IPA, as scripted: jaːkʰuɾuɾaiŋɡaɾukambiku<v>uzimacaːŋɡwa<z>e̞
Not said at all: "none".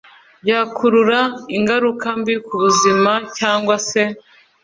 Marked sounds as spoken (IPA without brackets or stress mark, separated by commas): β, s